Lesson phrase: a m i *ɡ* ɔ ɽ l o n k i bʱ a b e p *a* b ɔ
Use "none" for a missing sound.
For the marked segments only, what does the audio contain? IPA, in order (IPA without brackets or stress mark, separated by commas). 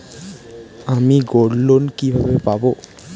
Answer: ɡ, a